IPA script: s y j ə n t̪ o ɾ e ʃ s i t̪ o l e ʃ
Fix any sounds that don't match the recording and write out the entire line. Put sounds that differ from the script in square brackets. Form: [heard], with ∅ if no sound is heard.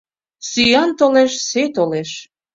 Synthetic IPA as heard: s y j [ɑ] n t̪ o [l] e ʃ s [e] t̪ o l e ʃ